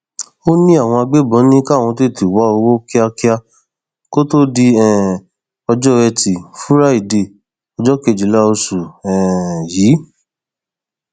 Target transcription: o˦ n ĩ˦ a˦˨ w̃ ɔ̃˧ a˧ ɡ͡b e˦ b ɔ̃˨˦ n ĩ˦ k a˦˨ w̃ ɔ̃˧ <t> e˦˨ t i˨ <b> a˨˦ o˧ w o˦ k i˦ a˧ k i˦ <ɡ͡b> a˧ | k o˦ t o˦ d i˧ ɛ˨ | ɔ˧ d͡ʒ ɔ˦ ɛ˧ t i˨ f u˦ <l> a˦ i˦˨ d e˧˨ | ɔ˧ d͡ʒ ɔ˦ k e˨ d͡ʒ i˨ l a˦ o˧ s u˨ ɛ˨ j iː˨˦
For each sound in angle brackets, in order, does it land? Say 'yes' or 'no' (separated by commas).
yes, no, no, no